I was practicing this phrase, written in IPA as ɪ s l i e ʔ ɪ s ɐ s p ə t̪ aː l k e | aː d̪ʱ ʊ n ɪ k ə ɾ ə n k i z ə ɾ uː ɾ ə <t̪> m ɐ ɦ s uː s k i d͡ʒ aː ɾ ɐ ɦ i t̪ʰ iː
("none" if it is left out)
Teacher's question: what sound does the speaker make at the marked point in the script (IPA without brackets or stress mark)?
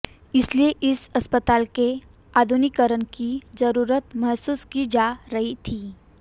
t̪